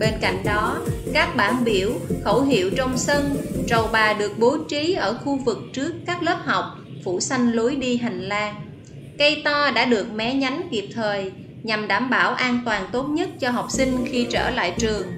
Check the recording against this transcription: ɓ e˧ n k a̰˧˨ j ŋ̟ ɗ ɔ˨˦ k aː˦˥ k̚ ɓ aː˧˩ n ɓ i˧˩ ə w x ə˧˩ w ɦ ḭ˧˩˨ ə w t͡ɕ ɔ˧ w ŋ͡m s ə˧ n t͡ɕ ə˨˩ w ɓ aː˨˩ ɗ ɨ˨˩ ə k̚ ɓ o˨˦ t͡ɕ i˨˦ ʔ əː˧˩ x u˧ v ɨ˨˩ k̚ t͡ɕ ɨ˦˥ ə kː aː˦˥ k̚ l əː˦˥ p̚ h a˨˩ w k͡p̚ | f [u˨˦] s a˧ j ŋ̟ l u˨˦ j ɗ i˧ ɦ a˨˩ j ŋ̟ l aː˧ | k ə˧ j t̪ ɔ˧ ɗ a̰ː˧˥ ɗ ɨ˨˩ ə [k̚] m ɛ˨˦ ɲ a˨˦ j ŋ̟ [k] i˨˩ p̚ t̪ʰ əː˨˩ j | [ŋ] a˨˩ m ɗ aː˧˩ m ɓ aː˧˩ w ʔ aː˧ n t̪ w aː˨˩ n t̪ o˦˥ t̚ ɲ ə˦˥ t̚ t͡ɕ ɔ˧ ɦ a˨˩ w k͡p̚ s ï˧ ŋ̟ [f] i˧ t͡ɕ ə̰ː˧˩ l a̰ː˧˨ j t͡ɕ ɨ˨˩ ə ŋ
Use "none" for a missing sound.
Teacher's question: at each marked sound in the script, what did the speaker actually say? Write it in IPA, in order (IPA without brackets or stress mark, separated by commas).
u˧˩, k̚, k, ɲ, x